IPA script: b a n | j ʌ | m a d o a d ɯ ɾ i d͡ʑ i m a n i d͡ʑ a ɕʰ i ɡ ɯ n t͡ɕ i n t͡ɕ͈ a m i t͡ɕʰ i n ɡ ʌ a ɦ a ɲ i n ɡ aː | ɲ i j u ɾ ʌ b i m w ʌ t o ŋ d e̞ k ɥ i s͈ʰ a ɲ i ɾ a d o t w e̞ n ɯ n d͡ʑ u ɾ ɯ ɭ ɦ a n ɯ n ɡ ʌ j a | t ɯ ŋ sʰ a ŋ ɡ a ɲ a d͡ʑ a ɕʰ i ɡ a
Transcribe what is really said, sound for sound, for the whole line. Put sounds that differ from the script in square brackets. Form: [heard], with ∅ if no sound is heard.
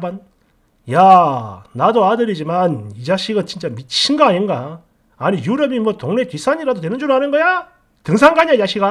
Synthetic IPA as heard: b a n | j [a] | [n] a d o a d ɯ ɾ i d͡ʑ i m a n i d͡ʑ a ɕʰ i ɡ ɯ n t͡ɕ i n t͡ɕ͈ a m i t͡ɕʰ i n ɡ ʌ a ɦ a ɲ i n ɡ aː | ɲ i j u ɾ ʌ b i m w ʌ t o ŋ [n] e̞ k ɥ i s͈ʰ a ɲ i ɾ a d o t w e̞ n ɯ n d͡ʑ u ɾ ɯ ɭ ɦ a n ɯ n ɡ ʌ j a | t ɯ ŋ sʰ a ŋ ɡ a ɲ a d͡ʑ a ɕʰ i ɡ a